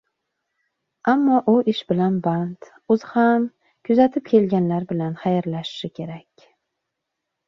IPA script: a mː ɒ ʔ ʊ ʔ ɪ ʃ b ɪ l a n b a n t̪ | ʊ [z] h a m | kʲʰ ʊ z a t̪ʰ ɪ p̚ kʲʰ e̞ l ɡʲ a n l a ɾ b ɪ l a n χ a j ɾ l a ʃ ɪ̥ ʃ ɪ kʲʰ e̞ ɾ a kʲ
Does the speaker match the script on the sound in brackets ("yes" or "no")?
yes